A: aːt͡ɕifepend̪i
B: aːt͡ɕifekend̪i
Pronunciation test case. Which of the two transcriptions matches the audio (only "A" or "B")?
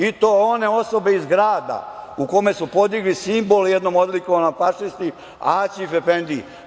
A